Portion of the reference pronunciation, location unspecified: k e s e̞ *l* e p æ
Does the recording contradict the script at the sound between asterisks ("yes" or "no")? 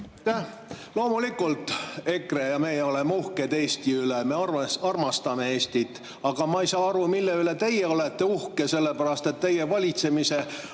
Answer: yes